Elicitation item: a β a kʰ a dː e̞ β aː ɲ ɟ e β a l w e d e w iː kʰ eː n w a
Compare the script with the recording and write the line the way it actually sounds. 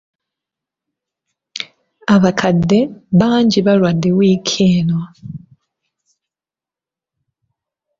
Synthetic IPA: a β a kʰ a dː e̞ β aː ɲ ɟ i β a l w a d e w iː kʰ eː n w a